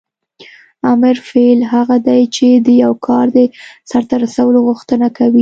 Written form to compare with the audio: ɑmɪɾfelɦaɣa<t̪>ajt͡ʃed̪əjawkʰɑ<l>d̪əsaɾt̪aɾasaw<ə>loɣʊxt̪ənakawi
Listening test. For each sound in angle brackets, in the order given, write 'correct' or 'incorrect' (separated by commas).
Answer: incorrect, incorrect, correct